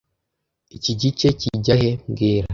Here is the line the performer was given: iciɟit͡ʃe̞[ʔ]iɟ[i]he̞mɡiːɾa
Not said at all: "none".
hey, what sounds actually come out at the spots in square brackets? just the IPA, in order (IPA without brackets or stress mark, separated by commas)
c, a